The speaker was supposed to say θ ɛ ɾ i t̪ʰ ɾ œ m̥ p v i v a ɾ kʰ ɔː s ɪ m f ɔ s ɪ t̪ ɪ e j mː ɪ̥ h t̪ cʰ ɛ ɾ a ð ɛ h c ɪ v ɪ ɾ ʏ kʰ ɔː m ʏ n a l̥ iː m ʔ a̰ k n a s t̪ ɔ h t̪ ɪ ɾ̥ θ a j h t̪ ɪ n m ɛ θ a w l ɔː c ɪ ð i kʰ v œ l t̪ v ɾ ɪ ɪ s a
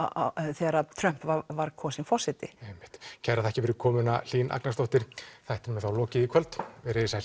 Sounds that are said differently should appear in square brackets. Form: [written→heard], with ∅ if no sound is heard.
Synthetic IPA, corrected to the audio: θ ɛ ɾ [i→a] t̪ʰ ɾ œ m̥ p v [i→a] v a ɾ kʰ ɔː s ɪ [m→n] f ɔ s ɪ t̪ ɪ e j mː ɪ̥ h t̪ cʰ ɛ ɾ a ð ɛ h c ɪ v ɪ ɾ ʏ kʰ ɔː m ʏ n a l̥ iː [m→n] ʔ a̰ k n a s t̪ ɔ h t̪ ɪ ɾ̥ θ a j h t̪ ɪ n m ɛ θ a w l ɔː c ɪ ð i kʰ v œ l t̪ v ɾ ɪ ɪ s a

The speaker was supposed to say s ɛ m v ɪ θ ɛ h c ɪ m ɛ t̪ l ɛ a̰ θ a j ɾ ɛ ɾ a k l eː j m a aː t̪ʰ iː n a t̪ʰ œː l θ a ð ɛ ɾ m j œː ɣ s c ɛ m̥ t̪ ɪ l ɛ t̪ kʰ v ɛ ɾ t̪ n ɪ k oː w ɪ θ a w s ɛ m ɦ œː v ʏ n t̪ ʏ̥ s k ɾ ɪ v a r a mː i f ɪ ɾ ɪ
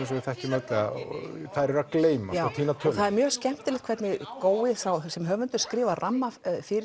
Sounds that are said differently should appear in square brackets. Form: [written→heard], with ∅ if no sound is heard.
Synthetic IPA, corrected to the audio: s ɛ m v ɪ θ ɛ h c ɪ m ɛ t̪ l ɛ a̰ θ a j ɾ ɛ ɾ a k l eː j m a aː t̪ʰ iː n a t̪ʰ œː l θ a ð ɛ ɾ m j œː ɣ s c ɛ m̥ t̪ ɪ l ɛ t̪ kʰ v ɛ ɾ t̪ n ɪ k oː w ɪ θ a w s ɛ m ɦ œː v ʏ n t̪ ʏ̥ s k ɾ [ɪ→ɪː] v a r a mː [i→a] f ɪ ɾ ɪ

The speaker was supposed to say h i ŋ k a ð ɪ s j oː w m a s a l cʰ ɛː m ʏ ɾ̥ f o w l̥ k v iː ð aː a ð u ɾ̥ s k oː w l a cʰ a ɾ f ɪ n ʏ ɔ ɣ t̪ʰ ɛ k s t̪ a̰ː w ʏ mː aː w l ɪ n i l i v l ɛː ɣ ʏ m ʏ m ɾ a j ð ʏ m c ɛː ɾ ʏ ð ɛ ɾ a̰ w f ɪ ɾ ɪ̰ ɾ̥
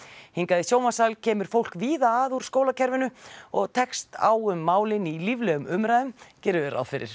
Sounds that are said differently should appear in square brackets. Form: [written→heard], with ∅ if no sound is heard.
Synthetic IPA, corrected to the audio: h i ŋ k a ð ɪ s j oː w m a s a l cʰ ɛː m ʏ ɾ̥ f o w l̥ k v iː ð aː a ð u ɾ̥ s k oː w l a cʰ [a→ɛ] ɾ [f→v] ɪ n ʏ ɔ ɣ t̪ʰ ɛ k s t̪ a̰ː w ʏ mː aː w l ɪ n i l i v l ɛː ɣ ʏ m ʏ m ɾ a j ð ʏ m c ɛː ɾ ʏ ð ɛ ɾ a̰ w f ɪ ɾ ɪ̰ ɾ̥

